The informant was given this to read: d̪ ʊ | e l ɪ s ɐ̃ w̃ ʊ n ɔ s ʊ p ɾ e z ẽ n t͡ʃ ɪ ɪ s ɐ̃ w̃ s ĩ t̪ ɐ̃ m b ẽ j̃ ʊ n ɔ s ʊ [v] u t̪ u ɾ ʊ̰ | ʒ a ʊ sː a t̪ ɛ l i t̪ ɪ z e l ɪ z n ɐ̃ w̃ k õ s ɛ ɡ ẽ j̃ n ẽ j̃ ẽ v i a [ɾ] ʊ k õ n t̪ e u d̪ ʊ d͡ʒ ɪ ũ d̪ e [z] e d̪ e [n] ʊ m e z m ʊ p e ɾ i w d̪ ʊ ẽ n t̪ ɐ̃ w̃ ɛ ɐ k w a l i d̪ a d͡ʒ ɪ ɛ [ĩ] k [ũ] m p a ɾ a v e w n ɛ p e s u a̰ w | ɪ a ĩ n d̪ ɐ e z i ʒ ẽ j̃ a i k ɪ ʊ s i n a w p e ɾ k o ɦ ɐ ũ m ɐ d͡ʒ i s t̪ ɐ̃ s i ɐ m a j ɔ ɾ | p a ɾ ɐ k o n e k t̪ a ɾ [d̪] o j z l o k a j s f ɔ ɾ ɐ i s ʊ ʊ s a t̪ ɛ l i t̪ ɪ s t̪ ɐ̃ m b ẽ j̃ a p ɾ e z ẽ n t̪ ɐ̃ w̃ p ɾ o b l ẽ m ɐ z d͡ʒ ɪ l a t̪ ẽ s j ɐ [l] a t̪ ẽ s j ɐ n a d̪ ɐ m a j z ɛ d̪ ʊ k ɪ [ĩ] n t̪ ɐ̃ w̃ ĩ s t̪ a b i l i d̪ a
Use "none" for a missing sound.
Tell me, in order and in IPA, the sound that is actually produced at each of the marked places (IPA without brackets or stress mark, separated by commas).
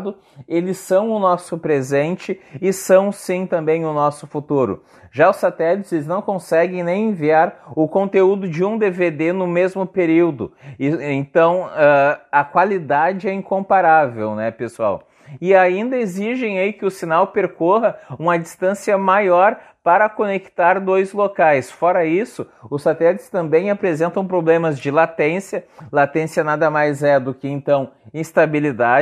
f, ɾ, v, n, ĩ, õ, d̪, l, ẽ